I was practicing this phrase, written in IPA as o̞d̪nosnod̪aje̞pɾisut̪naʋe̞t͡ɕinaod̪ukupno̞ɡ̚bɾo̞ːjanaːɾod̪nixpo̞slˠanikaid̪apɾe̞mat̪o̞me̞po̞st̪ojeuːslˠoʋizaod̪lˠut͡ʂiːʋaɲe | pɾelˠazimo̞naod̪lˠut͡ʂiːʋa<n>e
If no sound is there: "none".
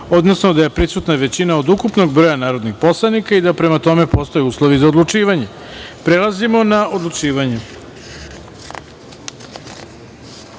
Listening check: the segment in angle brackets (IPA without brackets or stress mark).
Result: ɲ